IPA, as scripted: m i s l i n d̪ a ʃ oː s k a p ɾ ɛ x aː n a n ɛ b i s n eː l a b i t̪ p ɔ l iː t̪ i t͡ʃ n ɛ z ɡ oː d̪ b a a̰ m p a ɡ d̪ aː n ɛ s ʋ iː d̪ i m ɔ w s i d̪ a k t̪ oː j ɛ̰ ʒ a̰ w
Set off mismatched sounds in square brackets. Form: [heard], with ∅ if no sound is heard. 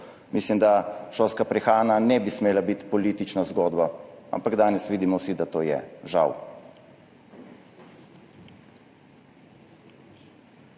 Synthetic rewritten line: m i s l i [m] d̪ a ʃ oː s k a p ɾ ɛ x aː n a n ɛ b i s [m] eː l a b i t̪ p ɔ l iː t̪ i t͡ʃ n [a] z ɡ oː d̪ b a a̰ m p a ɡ d̪ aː n ɛ s ʋ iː d̪ i m ɔ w s i d̪ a [∅] t̪ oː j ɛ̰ ʒ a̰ w